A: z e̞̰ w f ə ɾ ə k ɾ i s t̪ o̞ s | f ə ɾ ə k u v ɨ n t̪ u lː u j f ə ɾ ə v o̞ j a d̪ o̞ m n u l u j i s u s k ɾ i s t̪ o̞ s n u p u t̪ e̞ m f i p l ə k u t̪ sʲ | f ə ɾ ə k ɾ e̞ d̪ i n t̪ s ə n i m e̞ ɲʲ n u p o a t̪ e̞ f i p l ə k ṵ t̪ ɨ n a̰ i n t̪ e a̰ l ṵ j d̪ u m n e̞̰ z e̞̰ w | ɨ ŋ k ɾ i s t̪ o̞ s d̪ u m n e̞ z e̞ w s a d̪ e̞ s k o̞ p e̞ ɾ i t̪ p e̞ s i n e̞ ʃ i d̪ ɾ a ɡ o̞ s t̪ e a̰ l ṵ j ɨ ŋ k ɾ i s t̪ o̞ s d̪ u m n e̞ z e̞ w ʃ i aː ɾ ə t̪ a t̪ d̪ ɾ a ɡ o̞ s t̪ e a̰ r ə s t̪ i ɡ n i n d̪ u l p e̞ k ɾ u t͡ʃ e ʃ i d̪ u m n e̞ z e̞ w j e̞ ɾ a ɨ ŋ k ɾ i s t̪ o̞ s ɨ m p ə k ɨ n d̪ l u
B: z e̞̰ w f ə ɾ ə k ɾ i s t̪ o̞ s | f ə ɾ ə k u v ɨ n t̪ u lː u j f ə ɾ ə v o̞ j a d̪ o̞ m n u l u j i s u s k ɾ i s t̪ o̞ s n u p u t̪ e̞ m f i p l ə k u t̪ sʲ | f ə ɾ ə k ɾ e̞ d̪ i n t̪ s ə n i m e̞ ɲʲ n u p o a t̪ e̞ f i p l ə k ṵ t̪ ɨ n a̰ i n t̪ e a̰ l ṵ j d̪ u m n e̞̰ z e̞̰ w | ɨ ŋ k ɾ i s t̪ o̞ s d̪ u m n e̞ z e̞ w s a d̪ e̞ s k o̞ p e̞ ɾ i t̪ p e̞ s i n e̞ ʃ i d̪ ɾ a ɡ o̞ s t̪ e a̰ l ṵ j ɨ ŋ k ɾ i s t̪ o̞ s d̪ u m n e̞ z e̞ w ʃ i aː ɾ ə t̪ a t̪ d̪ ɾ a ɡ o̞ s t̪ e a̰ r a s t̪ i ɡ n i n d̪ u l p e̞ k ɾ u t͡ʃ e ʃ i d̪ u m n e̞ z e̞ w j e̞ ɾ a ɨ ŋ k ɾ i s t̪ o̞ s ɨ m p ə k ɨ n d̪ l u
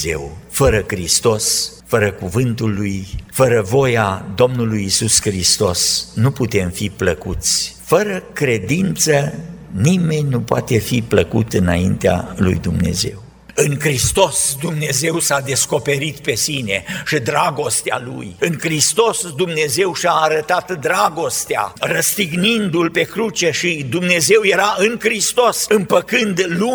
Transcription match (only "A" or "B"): A